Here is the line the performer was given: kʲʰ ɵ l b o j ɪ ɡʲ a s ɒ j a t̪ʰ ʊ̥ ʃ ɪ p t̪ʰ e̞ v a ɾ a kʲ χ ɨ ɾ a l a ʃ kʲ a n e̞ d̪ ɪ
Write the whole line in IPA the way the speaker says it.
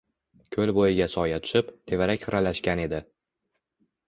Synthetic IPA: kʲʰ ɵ l b o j ɪ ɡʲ a s ɒ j a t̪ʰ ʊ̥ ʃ ɪ p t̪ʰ e̞ v a ɾ a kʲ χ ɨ ɾ a l a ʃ kʲ a n e̞ d̪ ɪ